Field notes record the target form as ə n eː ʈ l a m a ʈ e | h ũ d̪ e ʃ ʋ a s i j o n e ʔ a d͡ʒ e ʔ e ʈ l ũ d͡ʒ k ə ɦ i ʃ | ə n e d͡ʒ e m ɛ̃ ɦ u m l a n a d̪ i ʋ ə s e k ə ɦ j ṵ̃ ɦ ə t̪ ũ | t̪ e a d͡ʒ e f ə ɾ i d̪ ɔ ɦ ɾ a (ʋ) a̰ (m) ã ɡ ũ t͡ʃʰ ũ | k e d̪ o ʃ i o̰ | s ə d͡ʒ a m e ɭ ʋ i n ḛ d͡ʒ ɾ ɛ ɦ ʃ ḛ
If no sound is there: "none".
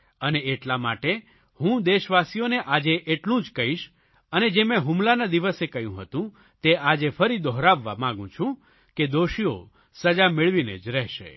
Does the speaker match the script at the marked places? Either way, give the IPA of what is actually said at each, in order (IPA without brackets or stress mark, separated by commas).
ʋː, m